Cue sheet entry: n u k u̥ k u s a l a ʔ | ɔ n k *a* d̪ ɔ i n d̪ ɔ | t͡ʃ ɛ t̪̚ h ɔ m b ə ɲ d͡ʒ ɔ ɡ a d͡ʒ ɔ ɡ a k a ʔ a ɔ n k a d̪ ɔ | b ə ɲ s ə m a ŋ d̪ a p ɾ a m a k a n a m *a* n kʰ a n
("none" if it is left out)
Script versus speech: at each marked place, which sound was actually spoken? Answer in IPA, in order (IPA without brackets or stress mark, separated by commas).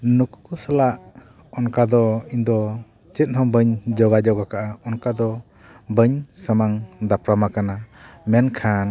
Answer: a, ɛ